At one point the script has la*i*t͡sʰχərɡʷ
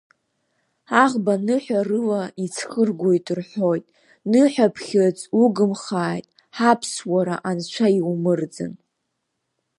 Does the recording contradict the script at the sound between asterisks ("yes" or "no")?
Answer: no